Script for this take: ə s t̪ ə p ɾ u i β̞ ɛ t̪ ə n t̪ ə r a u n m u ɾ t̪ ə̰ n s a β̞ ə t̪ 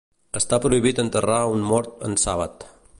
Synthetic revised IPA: ə s t̪ a p ɾ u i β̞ i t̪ ə n t̪ ə r a u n m ɔ ɾ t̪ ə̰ n s a β̞ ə t̪